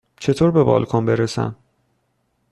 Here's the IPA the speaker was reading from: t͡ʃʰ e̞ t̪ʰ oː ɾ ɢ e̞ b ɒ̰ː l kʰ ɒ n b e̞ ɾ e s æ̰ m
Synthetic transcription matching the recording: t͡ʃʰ e̞ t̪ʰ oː ɾ b e̞ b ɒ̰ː l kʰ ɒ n b e̞ ɾ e s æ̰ m